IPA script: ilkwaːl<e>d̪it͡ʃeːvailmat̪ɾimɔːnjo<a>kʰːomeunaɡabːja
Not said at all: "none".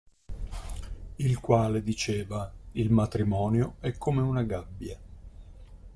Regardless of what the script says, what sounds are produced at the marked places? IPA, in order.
e, ɛ

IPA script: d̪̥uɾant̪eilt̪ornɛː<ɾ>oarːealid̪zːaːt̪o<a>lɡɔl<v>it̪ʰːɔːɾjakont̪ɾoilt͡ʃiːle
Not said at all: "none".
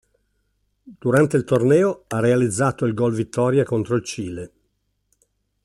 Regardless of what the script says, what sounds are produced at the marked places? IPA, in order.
none, i, v

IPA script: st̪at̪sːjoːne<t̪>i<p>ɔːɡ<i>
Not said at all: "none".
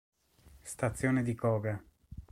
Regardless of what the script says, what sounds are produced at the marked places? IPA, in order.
d̪, k, a

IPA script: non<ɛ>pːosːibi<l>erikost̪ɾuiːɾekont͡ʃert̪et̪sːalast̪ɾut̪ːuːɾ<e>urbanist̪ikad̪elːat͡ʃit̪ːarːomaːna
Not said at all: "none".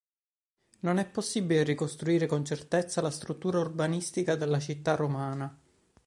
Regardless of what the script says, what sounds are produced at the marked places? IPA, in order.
ɛ, l, a

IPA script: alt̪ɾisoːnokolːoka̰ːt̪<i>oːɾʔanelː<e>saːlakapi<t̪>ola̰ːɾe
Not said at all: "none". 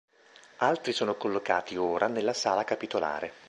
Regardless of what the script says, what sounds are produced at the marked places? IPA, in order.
i, a, t̪

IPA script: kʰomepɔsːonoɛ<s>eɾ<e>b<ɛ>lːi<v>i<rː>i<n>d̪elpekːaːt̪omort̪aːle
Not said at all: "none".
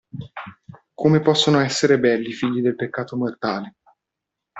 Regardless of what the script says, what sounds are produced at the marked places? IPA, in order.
sː, e, ɛ, f, ʎː, none

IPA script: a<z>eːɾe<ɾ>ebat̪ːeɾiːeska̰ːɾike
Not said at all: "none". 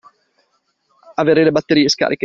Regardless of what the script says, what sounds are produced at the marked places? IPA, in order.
v, l

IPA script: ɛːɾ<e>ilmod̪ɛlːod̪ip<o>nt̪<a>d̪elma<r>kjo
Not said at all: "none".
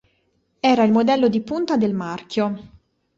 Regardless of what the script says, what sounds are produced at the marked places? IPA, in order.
a, u, a, r

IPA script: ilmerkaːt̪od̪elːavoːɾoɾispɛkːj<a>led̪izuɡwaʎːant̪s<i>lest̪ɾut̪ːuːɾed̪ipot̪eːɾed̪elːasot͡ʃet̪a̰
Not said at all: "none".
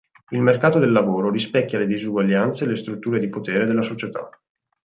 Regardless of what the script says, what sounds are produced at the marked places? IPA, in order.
a, e

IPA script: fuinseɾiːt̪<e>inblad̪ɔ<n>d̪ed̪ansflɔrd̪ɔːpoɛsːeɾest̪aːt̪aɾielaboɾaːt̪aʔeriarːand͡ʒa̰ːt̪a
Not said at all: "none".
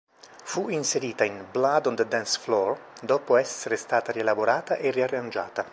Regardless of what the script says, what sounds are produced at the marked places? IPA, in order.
a, n

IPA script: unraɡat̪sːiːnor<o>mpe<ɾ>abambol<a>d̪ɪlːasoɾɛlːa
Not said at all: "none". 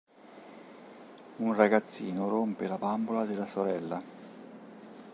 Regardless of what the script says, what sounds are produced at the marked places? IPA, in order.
o, l, a

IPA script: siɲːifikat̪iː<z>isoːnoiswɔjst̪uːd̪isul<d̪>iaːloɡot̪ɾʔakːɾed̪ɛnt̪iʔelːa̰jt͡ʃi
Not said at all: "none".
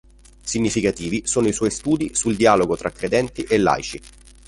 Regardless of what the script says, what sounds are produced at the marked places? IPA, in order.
v, d̪

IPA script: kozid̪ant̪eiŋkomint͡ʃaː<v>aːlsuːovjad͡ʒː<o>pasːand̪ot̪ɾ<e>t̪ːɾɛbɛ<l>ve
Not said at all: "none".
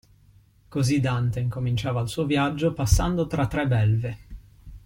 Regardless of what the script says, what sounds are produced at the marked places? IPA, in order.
v, o, a, l

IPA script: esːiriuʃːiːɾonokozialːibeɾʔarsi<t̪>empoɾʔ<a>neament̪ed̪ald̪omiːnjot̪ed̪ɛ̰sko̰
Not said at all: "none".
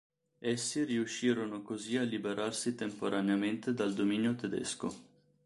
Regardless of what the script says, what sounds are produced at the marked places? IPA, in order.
t̪, a

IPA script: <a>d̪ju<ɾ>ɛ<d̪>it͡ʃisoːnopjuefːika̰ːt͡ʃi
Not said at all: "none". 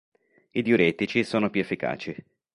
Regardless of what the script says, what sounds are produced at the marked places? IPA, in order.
i, ɾ, t̪

